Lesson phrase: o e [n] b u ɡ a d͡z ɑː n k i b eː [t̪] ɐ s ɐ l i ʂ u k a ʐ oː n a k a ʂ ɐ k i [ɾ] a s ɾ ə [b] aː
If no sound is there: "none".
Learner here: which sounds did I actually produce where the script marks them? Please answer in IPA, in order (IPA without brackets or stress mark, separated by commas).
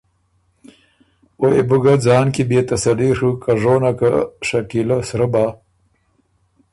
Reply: none, t̪, l, b